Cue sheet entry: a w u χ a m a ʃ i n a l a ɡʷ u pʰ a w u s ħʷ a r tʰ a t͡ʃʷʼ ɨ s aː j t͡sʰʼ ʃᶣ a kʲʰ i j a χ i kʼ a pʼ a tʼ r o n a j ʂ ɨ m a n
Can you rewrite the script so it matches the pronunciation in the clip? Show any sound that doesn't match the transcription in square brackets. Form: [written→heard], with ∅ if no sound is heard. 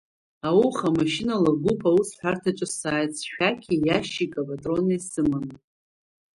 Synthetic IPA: a w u χ a m a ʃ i n a l a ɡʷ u pʰ a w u s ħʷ a r tʰ a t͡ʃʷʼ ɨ s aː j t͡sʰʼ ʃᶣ a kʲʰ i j a [χ→ʃ] i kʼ a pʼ a tʼ r o n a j [ʂ→s] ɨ m a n

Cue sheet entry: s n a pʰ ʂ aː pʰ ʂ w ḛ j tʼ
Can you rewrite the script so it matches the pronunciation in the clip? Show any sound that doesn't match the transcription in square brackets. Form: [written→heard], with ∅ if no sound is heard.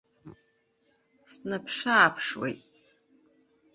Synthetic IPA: s n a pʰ ʂ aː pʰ ʂ w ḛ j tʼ

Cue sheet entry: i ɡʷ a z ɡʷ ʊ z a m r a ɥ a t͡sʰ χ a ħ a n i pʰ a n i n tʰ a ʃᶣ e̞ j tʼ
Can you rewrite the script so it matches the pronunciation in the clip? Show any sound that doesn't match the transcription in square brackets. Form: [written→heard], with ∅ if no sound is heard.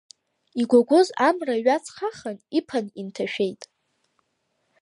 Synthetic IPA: i ɡʷ a [z→∅] ɡʷ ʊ z a m r a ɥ a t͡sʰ χ a [ħ→χ] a n i pʰ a n i n tʰ a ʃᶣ e̞ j tʼ

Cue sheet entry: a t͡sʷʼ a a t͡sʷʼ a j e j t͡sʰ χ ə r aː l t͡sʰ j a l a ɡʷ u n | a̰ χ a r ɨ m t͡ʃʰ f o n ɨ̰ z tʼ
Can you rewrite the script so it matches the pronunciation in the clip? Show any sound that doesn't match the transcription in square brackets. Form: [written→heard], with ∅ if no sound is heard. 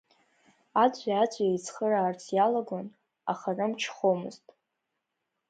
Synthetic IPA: a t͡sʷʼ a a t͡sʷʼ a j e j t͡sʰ χ ə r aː [l→r] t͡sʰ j a l a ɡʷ [u→o] n | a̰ χ a r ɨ m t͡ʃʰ [f→χ] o [n→m] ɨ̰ z tʼ

